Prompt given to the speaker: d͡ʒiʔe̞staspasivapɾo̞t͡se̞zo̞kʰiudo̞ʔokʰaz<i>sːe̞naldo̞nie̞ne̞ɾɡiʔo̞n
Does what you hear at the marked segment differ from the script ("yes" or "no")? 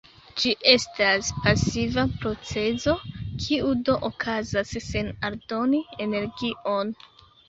yes